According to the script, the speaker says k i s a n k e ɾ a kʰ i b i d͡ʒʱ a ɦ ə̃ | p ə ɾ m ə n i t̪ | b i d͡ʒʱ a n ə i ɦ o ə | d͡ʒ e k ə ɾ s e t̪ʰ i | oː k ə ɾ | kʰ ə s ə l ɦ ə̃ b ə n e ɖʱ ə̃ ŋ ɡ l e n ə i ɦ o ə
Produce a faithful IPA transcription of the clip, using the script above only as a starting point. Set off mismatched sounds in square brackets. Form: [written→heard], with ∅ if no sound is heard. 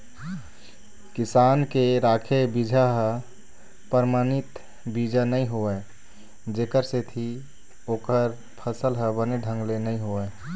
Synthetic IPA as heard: k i s a n k e ɾ a kʰ [i→e] b i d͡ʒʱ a ɦ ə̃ | p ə ɾ m [ə→a] n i t̪ | b i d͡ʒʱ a n ə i ɦ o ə | d͡ʒ e k ə ɾ s e t̪ʰ i | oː k ə ɾ | [kʰ→pʰ] ə s ə l ɦ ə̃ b ə n e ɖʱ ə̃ ŋ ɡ l e n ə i ɦ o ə